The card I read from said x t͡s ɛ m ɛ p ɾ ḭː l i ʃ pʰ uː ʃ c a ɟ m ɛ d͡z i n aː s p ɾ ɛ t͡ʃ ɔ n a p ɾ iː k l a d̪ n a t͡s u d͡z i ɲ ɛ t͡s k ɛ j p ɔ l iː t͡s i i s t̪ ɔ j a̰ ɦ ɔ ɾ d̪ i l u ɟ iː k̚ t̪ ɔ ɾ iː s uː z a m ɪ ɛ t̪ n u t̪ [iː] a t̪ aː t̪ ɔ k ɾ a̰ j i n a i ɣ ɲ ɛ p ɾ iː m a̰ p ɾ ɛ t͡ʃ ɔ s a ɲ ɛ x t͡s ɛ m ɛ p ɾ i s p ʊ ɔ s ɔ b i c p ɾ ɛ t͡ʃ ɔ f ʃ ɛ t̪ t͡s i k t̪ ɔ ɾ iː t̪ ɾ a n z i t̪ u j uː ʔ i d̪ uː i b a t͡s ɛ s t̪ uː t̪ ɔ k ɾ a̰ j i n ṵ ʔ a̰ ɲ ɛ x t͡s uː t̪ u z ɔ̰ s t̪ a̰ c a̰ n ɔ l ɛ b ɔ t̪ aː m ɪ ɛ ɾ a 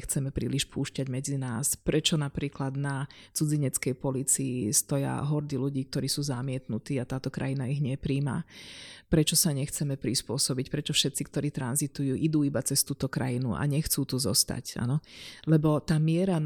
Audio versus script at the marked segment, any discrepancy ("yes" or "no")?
no